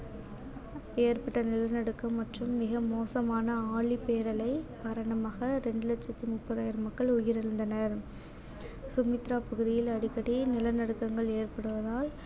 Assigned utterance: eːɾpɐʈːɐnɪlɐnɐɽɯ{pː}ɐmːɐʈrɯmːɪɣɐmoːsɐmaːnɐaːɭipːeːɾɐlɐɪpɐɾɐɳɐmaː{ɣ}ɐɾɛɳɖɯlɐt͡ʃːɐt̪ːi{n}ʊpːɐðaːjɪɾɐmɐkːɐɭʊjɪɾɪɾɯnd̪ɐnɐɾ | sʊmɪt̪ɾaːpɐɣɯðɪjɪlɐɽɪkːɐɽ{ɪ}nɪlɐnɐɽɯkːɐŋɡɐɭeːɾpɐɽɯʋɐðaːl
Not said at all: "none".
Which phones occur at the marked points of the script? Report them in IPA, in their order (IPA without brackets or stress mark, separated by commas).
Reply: kː, ɣ, m, i